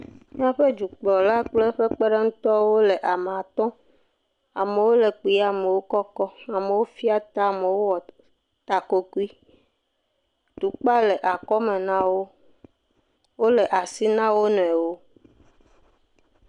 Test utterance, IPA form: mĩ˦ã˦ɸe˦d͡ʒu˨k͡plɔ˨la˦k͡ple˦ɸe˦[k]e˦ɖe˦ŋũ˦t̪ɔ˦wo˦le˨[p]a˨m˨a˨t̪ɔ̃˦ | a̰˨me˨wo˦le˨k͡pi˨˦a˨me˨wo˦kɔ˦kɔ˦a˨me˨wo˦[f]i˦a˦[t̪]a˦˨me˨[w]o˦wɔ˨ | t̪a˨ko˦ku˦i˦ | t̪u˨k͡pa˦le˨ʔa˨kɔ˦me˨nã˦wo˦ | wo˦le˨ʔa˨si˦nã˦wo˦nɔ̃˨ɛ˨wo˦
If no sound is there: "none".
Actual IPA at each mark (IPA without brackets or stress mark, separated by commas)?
k͡p, ʔ, f, t̪, w